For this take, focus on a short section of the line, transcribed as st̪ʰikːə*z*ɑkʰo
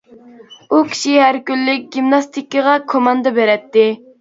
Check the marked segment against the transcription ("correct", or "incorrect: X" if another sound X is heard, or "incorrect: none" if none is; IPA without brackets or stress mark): incorrect: ʁ